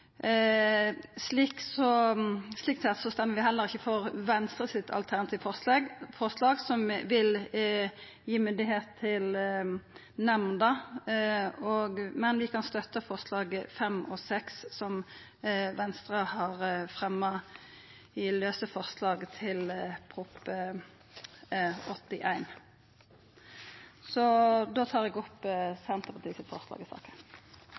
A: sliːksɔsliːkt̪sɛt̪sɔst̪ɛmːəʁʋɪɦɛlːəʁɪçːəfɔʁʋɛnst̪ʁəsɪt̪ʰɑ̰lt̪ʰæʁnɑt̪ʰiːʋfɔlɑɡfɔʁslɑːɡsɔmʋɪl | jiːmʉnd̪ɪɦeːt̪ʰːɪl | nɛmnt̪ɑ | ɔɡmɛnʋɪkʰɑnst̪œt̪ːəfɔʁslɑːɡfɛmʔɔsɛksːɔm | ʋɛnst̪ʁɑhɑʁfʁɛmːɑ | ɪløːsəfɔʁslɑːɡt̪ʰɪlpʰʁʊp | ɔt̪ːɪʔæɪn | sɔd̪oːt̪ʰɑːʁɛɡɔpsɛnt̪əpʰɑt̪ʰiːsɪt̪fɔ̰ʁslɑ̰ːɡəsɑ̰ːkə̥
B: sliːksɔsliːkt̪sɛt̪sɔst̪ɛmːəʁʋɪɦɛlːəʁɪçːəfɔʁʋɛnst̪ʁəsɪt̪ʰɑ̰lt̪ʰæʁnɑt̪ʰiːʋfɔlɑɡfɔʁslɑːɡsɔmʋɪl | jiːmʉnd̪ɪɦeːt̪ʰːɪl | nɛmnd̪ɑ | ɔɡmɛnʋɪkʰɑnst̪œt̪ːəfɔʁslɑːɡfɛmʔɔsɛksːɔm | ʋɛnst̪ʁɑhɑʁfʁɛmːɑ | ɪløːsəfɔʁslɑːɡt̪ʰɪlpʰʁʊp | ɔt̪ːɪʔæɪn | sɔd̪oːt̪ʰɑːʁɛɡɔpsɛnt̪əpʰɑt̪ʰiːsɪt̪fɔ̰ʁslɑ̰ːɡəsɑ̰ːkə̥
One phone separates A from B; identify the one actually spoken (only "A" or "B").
B